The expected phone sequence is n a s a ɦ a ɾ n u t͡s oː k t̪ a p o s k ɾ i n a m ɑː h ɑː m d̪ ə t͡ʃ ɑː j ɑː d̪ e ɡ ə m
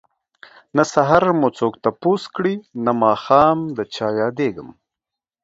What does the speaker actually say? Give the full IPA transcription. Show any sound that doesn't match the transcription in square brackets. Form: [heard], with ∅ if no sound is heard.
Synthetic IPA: n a s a ɦ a ɾ [m] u t͡s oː k t̪ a p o s k [ɽ] i n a m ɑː [x] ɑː m d̪ ə t͡ʃ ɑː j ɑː d̪ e ɡ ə m